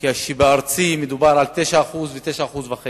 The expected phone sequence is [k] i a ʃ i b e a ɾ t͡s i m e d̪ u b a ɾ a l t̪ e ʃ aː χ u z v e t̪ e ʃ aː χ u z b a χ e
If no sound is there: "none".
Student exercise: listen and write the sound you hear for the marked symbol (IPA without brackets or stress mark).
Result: k